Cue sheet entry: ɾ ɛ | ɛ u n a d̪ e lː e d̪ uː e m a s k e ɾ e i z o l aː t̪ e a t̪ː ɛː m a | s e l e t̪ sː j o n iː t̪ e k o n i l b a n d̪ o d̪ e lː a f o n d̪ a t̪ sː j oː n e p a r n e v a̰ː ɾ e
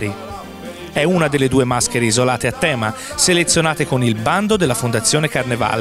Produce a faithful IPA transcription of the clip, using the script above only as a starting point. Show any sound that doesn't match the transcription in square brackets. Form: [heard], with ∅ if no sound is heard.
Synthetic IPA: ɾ [i] | ɛ u n a d̪ e lː e d̪ uː e m a s k e ɾ e i z o l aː t̪ e a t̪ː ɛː m a | s e l e t̪ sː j o n [aː] t̪ e k o n i l b a n d̪ o d̪ e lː a f o n d̪ a t̪ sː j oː n e [k] a r n e v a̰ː [l] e